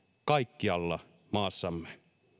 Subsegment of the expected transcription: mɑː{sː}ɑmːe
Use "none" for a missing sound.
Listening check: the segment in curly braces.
sː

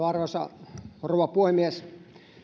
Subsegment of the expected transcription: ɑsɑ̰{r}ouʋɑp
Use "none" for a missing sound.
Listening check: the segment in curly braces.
r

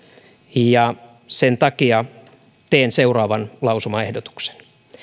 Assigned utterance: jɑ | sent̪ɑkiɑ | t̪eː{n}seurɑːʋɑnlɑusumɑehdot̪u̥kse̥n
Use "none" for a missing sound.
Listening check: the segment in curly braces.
n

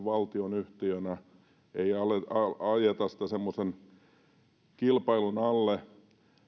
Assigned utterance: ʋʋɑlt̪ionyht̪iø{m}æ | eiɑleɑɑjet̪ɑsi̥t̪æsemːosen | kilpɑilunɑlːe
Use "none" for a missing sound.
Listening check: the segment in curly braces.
n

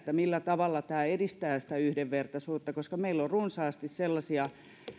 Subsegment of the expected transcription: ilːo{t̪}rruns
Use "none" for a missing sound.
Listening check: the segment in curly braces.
none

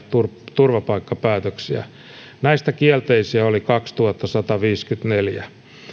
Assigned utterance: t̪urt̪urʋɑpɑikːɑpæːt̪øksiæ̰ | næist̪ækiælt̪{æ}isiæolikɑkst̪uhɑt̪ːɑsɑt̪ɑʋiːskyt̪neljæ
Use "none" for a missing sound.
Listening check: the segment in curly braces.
e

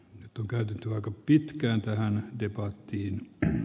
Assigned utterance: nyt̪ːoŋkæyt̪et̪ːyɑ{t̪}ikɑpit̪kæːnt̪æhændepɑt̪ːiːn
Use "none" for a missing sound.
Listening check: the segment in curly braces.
none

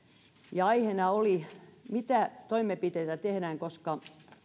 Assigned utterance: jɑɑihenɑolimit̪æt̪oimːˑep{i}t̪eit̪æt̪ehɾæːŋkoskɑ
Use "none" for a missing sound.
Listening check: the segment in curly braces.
i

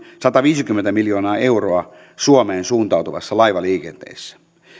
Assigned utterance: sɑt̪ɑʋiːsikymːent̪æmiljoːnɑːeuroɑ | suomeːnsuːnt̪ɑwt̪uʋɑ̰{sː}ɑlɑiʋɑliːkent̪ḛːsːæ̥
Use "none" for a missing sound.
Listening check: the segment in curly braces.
sː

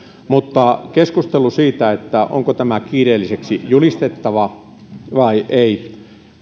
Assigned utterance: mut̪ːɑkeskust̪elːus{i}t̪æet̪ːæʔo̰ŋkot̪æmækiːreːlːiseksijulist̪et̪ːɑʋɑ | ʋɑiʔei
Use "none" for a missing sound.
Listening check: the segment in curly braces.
iː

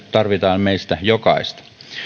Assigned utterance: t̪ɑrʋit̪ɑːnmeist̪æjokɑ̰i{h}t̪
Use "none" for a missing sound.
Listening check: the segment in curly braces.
s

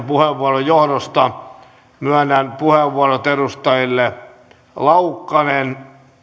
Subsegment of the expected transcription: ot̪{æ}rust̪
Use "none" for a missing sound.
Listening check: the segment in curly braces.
e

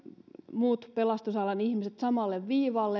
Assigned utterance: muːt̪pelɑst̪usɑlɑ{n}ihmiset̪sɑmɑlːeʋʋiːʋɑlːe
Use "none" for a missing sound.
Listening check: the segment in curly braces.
n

